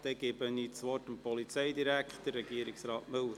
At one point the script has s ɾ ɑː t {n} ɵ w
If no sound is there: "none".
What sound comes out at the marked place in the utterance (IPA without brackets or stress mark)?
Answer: m